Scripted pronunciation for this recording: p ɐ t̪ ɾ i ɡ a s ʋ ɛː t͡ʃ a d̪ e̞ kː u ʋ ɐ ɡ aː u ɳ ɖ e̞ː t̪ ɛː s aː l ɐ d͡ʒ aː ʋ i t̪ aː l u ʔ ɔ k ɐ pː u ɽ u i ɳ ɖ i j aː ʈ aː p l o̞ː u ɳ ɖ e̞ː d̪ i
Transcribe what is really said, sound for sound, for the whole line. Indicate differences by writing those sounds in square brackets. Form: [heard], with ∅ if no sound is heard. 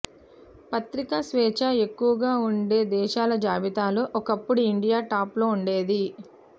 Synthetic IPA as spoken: p ɐ t̪ ɾ i [k] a s ʋ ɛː t͡ʃ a [∅] e̞ kː u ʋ ɐ ɡ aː u ɳ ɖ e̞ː [d̪] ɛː [ʃ] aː l ɐ d͡ʒ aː ʋ i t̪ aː l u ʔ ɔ k ɐ pː u ɽ u i ɳ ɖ i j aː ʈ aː p l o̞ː u ɳ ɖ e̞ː d̪ i